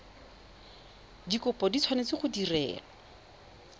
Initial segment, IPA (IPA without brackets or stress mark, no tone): d